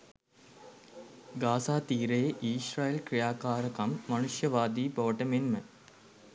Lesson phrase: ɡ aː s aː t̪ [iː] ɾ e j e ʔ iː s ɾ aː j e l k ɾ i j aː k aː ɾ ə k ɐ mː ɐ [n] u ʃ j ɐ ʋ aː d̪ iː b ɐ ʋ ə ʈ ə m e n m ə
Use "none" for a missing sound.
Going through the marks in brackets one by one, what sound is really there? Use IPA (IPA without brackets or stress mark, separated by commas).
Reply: iː, n